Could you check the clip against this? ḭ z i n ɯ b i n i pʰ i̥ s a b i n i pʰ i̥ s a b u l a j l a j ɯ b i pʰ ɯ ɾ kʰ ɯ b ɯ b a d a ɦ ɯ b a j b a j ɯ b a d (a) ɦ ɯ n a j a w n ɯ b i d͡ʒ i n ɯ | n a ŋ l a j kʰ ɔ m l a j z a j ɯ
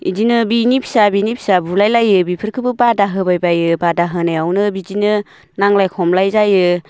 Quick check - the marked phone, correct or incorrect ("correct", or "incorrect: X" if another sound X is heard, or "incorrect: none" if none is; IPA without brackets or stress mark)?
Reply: correct